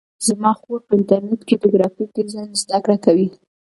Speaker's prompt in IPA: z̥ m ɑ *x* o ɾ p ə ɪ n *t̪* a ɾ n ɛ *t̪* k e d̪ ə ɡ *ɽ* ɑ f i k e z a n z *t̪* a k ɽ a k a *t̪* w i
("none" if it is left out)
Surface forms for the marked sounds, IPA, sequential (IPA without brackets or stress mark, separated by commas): x, t̪, t̪, ɾ, d̪, none